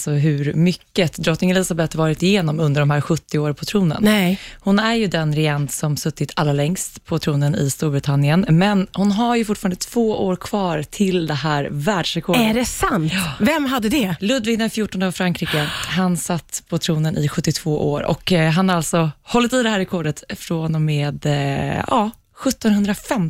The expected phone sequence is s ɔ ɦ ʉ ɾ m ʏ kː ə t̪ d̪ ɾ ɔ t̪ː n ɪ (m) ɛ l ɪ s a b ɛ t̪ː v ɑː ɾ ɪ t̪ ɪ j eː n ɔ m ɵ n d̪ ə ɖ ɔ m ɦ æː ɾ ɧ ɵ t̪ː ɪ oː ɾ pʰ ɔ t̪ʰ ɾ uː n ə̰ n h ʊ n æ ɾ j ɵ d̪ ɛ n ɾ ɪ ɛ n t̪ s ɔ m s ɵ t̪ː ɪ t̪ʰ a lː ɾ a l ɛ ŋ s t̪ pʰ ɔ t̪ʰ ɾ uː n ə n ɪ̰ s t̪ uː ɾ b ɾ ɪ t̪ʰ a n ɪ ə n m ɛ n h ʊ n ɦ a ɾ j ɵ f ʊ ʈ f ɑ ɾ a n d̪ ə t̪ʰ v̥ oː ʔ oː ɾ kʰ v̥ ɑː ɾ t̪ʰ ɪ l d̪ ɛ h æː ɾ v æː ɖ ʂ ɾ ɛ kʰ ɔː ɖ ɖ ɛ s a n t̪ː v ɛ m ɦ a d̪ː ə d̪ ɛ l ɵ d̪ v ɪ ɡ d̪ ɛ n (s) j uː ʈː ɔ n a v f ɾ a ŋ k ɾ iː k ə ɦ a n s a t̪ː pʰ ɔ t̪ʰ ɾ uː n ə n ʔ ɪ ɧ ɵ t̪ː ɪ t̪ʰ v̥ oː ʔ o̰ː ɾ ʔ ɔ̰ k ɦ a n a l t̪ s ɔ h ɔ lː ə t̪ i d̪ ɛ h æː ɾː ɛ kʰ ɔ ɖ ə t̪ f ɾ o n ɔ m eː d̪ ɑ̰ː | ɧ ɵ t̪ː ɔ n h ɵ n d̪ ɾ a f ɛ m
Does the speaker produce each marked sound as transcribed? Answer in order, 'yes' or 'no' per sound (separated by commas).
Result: no, no